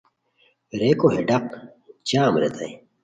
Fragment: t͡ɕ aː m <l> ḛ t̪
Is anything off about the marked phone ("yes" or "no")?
yes